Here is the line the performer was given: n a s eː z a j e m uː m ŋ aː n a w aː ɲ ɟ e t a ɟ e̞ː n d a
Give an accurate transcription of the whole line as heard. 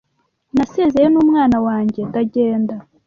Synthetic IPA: n a s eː z e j e n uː m ŋ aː n a w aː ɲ ɟ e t a ɟ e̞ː n d a